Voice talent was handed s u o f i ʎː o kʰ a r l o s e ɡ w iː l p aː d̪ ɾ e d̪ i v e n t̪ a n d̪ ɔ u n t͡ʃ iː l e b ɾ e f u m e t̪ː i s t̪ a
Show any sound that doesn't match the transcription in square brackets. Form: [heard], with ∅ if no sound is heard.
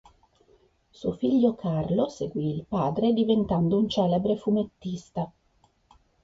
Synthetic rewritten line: s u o f i ʎː o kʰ a r l o s e ɡ w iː l p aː d̪ ɾ e d̪ i v e n t̪ a n d̪ [o] u n t͡ʃ [ɛː] l e b ɾ e f u m e t̪ː i s t̪ a

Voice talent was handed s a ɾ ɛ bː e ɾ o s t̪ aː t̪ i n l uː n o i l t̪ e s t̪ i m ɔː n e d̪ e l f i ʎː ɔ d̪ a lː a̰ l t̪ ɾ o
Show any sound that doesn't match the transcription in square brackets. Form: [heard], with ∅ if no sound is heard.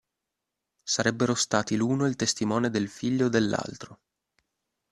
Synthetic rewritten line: s a ɾ ɛ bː e ɾ o s t̪ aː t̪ i [∅] l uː n o i l t̪ e s t̪ i m ɔː n e d̪ e l f i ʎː [o] d̪ [e] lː a̰ l t̪ ɾ o

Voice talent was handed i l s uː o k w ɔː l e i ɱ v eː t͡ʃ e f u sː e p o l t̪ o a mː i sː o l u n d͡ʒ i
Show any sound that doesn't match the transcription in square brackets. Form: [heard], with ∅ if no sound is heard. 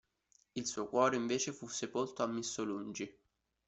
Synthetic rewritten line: i l s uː o k w ɔː [ɾ] e i ɱ v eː t͡ʃ e f u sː e p o l t̪ o a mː i sː o l u n d͡ʒ i

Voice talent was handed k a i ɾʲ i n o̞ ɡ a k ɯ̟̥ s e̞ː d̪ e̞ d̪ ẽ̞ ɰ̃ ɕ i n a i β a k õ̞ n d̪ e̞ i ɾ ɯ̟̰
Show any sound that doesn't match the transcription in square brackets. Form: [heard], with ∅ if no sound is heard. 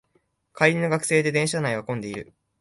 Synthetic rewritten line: k a i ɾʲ i n o̞ ɡ a k ɯ̟̥ s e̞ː d̪ e̞ d̪ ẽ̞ ɰ̃ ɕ [a] n a i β a k õ̞ n d̪ e̞ i ɾ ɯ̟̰

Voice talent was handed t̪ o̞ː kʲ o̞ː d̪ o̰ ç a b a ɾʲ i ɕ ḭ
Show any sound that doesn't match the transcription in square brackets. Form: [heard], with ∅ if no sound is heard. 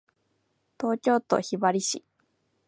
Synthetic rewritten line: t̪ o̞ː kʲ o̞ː [t̪] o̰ ç [i] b a ɾʲ i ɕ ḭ

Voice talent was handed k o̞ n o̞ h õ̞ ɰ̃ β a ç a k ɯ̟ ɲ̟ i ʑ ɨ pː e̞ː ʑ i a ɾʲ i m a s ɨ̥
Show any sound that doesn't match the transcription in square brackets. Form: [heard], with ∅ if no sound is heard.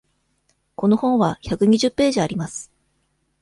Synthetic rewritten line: k o̞ n o̞ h õ̞ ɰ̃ β a ç a k ɯ̟ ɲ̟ i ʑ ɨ pː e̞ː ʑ i a ɾʲ i m a s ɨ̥

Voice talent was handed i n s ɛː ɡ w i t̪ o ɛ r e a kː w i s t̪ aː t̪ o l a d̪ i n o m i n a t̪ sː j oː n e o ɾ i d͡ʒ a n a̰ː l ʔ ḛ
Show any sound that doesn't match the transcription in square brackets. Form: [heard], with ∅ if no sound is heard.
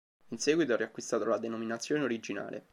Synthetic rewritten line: i n s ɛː ɡ w i t̪ o ɛ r [i] a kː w i s t̪ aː t̪ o l a d̪ [e] n o m i n a t̪ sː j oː n e o ɾ i d͡ʒ [i] n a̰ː l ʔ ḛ

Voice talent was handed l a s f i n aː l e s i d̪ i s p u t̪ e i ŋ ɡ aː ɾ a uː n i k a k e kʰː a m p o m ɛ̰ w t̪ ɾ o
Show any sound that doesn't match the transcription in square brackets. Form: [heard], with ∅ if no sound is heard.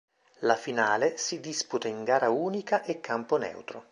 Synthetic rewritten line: l a [∅] f i n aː l e s i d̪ i s p u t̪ [a] i ŋ ɡ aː ɾ a uː n i k a [ʔ] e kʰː a m p o [n] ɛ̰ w t̪ ɾ o

